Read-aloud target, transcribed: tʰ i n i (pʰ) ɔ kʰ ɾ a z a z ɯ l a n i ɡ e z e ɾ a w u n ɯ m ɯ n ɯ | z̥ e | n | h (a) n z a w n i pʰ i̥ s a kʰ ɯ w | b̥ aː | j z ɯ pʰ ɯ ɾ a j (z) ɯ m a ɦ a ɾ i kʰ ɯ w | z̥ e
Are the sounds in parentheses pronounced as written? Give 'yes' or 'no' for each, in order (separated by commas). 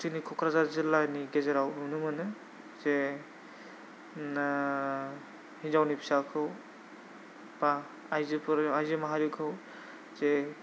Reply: no, no, yes